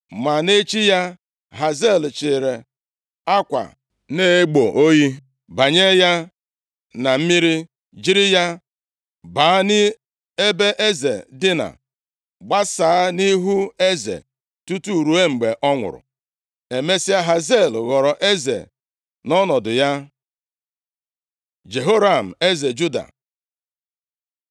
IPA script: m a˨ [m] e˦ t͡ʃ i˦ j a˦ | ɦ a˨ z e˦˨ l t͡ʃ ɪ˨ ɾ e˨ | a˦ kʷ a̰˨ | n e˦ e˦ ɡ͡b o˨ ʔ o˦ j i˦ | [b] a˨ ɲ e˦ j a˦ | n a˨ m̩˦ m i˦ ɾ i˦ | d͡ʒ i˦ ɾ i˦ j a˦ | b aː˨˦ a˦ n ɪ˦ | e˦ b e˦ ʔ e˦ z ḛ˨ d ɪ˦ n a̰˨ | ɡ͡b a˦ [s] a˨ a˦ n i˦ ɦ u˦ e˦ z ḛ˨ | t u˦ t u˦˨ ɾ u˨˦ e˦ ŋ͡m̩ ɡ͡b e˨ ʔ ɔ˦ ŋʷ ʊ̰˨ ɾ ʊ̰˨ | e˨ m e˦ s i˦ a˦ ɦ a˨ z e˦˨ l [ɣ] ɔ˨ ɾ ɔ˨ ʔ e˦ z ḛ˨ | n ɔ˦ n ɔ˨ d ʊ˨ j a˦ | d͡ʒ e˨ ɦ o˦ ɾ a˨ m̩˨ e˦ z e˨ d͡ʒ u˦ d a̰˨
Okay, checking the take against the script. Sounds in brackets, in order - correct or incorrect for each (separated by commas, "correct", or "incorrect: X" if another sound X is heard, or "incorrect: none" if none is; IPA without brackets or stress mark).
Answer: incorrect: n, correct, correct, correct